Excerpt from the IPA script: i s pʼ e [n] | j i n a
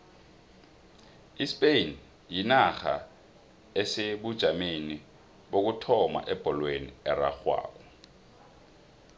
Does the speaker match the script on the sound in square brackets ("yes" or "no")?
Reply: yes